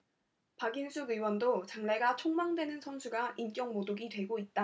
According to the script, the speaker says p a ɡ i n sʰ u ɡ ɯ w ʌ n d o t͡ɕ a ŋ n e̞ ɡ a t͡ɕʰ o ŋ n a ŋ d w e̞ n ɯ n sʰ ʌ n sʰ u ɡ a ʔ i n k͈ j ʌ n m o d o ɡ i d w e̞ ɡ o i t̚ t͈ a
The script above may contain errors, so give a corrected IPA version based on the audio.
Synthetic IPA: p a ɡ i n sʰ u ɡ ɯ w ʌ n d o t͡ɕ a ŋ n e̞ ɡ a t͡ɕʰ o ŋ m a ŋ d w e̞ n ɯ n sʰ ʌ n sʰ u ɡ a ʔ i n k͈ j ʌ ŋ m o d o ɡ i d w e̞ ɡ o i t̚ t͈ a